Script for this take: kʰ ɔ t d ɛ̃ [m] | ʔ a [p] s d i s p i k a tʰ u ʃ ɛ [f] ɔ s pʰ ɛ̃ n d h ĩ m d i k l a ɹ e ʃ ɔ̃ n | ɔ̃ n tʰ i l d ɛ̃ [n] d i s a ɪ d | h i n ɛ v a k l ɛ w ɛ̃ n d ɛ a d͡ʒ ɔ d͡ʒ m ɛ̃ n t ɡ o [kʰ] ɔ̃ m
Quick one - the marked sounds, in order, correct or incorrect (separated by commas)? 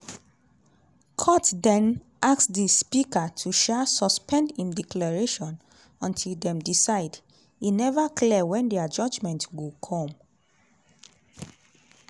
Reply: incorrect, incorrect, incorrect, incorrect, correct